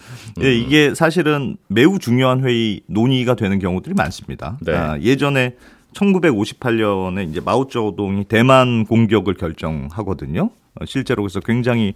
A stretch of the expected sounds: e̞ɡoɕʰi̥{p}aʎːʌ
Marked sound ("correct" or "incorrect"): incorrect